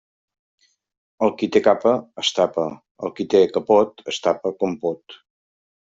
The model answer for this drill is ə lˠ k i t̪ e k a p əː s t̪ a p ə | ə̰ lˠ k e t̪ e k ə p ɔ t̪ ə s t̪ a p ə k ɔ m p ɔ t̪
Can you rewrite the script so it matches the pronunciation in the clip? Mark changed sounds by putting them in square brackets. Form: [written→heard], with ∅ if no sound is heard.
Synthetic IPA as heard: ə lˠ k i t̪ e k a p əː s t̪ a p ə | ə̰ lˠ k [e→i] t̪ e k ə p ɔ t̪ ə s t̪ a p ə k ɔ m p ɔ t̪